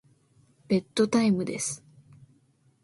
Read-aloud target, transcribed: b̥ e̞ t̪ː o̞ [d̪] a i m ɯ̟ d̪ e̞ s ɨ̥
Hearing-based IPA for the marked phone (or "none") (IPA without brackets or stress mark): t̪